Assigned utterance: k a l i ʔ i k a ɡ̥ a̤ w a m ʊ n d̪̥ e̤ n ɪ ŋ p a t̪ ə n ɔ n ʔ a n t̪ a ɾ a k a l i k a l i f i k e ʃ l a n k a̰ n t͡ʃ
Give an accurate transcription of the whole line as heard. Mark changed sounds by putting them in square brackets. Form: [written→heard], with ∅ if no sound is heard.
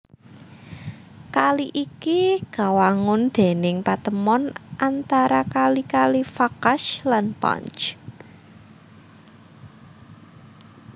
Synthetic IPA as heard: k a l i ʔ i k [a→i] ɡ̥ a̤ w a [m→ŋ] ʊ n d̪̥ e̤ n ɪ ŋ p a t̪ ə [n→m] ɔ n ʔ a n t̪ a ɾ a k a l i k a l i f [i→a] k [e→a] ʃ l a n [k→p] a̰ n t͡ʃ